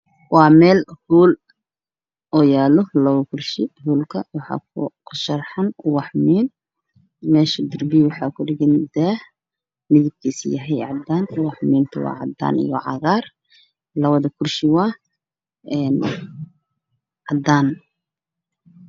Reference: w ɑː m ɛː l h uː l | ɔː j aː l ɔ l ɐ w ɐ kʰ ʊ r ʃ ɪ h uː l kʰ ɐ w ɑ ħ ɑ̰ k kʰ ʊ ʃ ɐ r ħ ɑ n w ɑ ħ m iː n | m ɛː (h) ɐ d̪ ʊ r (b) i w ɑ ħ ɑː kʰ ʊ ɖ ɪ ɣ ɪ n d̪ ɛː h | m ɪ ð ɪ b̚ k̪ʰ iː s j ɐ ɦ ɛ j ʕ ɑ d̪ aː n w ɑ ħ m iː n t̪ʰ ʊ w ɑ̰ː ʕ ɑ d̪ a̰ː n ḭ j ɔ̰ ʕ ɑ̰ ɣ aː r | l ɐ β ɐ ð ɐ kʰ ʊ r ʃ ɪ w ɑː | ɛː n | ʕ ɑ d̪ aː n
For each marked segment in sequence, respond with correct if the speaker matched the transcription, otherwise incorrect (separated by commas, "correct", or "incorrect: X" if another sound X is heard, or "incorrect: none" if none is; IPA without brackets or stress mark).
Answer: incorrect: ʃ, correct